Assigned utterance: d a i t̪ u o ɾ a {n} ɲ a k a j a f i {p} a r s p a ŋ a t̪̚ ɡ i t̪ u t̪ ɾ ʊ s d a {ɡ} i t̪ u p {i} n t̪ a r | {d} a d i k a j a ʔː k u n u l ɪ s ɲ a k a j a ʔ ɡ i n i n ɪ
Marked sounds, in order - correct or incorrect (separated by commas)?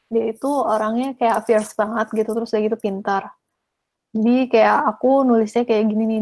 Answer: incorrect, incorrect, correct, correct, incorrect